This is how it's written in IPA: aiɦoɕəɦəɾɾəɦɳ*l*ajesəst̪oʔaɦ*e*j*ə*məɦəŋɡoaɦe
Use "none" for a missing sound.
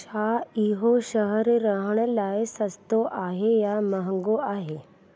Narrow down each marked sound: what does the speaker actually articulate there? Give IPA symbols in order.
l, e, a

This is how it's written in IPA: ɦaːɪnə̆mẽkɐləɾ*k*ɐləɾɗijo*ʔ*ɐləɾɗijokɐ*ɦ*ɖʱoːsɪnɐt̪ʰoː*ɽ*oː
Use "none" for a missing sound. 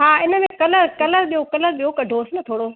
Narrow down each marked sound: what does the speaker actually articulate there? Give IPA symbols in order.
k, k, none, ɽ

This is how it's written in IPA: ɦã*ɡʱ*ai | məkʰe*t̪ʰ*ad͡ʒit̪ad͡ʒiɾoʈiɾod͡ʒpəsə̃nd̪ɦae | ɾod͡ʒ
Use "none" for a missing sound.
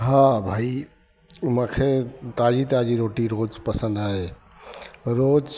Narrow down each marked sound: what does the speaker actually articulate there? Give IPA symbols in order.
bʱ, t̪

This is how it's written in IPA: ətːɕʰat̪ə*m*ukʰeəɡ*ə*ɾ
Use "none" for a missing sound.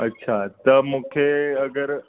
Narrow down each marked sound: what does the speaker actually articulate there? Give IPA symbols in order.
m, ə

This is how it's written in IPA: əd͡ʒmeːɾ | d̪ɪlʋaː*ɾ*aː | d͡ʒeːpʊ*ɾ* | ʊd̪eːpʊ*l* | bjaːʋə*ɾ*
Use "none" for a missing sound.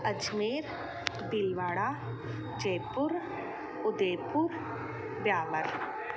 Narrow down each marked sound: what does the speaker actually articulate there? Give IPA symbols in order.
ɽ, ɾ, ɾ, ɾ

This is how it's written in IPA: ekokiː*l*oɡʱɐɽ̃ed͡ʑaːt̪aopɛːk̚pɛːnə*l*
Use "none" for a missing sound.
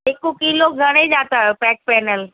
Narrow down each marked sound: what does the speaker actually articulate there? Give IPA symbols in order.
l, l

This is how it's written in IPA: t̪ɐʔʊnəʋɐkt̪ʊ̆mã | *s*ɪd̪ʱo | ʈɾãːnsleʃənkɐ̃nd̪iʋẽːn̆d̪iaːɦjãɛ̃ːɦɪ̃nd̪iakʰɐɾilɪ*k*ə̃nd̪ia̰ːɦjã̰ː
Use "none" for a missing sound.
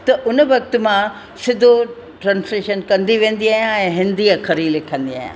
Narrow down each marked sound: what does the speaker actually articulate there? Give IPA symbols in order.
s, kʰ

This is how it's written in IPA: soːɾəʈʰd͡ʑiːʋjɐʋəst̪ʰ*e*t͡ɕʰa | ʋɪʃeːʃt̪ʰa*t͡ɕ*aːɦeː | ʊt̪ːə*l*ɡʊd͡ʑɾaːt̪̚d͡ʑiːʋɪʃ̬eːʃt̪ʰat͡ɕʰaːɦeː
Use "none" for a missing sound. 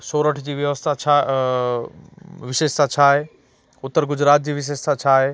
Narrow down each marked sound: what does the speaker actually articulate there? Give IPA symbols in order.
a, t͡ɕʰ, ɾ

